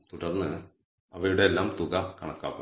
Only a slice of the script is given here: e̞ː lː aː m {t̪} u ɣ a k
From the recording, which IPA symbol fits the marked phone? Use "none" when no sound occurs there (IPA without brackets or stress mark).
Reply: t̪